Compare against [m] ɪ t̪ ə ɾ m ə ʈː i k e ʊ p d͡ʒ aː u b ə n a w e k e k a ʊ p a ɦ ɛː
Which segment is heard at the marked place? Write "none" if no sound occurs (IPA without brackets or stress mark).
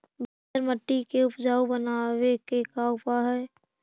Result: b